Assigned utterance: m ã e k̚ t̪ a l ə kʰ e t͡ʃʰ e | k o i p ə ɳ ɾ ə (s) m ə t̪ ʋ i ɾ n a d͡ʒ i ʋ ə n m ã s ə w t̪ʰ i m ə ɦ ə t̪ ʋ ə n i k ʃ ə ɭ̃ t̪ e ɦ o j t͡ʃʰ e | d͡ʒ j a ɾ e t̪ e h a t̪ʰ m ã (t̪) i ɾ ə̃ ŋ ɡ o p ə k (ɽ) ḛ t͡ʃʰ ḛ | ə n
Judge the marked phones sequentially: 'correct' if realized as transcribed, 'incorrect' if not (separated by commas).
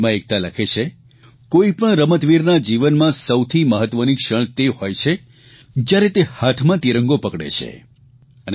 incorrect, correct, correct